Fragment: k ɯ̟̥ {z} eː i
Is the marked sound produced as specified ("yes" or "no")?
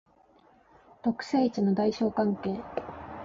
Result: no